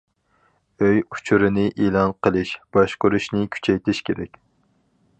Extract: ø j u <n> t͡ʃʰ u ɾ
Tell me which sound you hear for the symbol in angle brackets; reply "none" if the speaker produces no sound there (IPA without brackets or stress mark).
none